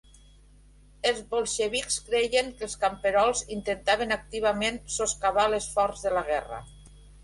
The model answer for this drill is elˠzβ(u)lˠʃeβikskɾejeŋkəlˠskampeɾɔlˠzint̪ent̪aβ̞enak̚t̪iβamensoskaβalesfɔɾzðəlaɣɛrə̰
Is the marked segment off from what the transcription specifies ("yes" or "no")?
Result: yes